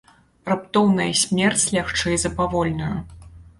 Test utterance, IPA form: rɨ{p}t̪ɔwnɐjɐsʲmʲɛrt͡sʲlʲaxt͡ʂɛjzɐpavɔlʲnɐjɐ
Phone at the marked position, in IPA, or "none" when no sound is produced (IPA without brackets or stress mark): p